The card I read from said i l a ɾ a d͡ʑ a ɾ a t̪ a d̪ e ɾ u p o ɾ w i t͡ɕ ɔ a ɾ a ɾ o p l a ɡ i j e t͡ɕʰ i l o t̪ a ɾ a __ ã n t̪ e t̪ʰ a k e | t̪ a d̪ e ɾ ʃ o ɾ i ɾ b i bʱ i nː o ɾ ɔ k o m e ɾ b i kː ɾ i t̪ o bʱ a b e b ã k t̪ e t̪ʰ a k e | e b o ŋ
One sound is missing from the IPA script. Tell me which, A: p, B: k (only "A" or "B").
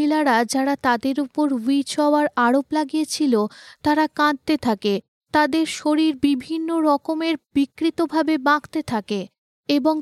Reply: B